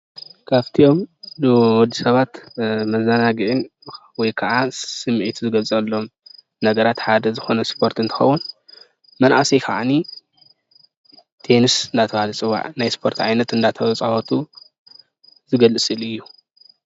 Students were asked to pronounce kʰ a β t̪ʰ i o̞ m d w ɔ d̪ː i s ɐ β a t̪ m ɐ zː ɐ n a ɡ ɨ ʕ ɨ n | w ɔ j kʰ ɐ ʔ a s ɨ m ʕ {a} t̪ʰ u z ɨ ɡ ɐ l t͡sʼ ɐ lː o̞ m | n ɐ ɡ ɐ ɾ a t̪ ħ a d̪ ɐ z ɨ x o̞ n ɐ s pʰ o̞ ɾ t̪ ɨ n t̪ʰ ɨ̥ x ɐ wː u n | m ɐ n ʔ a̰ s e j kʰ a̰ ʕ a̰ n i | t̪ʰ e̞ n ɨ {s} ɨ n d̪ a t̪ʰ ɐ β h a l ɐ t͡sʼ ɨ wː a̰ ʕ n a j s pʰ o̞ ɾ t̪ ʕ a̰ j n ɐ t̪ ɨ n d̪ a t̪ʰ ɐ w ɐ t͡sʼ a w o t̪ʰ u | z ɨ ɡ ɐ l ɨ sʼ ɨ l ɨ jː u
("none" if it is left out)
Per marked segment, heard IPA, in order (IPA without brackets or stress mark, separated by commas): i, s